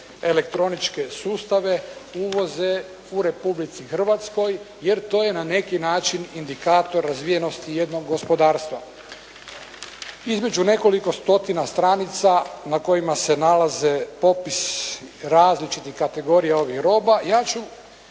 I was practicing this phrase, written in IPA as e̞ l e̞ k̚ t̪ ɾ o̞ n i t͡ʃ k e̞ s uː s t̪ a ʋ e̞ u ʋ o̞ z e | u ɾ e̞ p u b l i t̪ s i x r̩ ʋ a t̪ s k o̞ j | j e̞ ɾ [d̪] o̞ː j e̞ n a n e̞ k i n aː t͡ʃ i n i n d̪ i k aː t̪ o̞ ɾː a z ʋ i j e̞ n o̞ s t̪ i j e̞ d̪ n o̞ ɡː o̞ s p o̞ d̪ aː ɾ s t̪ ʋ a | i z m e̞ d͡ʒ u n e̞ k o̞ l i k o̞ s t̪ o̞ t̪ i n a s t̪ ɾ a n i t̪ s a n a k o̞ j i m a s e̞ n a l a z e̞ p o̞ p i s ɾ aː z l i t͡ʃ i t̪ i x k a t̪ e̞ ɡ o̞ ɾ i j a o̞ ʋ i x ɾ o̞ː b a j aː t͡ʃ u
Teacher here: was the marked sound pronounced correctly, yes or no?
no